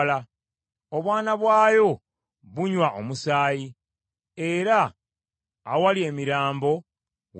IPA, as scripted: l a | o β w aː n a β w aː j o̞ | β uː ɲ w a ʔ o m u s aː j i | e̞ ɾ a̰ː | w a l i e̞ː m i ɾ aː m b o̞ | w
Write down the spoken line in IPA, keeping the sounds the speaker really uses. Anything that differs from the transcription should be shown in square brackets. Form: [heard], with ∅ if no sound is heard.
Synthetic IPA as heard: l a | o β w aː n a β w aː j o̞ | β [u] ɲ w a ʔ o m u s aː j i | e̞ ɾ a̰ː | w a l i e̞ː m i ɾ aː m b o̞ | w